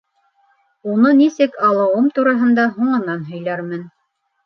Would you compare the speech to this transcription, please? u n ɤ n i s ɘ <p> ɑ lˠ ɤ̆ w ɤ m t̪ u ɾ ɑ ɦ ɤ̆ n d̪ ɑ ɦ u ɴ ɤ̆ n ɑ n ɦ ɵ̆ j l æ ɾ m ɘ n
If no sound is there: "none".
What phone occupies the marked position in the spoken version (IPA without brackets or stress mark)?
k